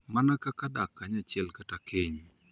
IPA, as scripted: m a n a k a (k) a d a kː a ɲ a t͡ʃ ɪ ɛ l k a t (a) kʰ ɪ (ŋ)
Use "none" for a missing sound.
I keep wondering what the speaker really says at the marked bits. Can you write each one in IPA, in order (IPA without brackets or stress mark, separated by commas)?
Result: k, a, ɲ